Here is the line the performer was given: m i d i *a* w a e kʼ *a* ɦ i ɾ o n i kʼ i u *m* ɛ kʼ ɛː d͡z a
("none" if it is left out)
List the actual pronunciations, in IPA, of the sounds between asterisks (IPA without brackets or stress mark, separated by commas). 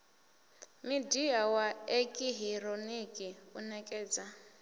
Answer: a, i, n